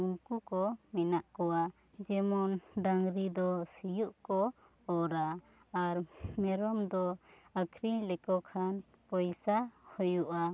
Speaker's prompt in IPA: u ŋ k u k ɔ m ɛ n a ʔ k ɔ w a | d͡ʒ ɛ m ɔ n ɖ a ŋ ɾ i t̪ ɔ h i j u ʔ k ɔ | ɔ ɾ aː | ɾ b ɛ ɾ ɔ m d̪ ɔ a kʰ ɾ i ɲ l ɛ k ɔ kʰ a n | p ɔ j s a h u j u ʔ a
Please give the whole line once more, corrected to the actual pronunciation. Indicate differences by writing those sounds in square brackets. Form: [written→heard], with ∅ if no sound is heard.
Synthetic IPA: u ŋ k u k ɔ m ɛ n a ʔ k ɔ w a | d͡ʒ ɛ m ɔ n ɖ a ŋ ɾ i [t̪→d̪] ɔ [h→s] i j u ʔ k ɔ | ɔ ɾ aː | ɾ [b→m] ɛ ɾ ɔ m d̪ ɔ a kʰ ɾ i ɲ l ɛ k ɔ kʰ a n | p ɔ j s a h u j u ʔ a